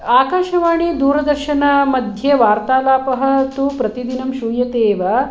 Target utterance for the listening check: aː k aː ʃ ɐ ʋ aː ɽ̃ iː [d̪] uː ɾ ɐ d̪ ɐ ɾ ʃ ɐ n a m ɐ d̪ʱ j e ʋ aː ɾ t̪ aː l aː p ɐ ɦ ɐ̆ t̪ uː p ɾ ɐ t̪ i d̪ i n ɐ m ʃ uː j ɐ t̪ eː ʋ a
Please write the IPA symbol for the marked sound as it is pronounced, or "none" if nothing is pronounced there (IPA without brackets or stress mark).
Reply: d̪